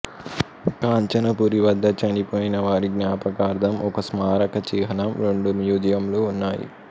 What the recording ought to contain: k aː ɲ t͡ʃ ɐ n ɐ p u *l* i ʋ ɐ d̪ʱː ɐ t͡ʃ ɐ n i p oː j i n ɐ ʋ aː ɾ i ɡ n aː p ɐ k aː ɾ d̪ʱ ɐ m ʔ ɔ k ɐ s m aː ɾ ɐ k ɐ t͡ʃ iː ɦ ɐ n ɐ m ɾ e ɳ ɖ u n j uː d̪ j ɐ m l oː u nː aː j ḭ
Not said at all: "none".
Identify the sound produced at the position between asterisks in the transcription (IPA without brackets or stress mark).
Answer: ɾ